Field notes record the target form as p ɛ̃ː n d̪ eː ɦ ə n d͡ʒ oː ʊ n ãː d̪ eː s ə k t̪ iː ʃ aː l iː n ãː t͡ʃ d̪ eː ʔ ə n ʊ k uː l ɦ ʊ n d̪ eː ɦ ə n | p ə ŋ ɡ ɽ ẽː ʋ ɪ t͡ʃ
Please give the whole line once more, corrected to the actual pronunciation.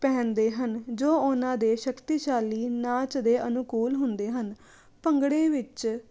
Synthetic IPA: p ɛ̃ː n d̪ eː ɦ ə n d͡ʒ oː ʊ n ãː d̪ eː ʃ ə k t̪ iː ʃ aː l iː n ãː t͡ʃ d̪ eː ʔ ə n ʊ k uː l ɦ ʊ n d̪ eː ɦ ə n | p ə ŋ ɡ ɽ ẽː ʋ ɪ t͡ʃ

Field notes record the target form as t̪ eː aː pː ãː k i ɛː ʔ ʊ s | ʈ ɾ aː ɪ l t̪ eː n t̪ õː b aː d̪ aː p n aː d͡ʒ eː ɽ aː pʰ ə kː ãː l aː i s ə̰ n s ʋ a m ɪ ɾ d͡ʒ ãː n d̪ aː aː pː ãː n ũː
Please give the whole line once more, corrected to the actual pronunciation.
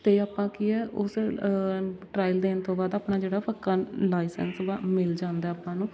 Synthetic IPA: t̪ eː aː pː ãː k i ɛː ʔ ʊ s | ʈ ɾ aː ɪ l d̪ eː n t̪ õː b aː d̪ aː p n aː d͡ʒ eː ɽ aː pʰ ə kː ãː l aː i s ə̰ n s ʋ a m ɪ l d͡ʒ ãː n d̪ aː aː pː ãː n ũː

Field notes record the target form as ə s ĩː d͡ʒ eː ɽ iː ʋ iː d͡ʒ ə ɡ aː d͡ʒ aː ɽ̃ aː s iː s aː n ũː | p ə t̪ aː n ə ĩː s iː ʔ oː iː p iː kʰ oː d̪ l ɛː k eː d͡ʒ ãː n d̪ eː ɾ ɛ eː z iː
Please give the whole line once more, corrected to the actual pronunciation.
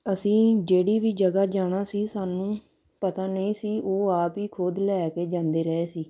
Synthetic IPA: ə s ĩː d͡ʒ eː ɽ iː ʋ iː d͡ʒ ə ɡ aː d͡ʒ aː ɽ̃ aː s iː s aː n ũː | p ə t̪ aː n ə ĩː s iː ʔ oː aː p iː kʰ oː d̪ l ɛː k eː d͡ʒ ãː n d̪ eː ɾ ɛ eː s iː

